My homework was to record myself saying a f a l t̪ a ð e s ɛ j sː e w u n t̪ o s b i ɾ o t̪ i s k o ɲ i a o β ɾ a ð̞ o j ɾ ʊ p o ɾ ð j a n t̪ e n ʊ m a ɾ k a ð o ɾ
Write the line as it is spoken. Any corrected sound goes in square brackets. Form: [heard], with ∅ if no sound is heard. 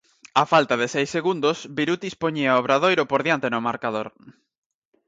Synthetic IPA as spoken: a f a l t̪ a ð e s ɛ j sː e [ɣ] u n [d̪] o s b i ɾ [u] t̪ i s [p] o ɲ i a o β ɾ a ð̞ o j ɾ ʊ p o ɾ ð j a n t̪ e n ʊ m a ɾ k a ð o ɾ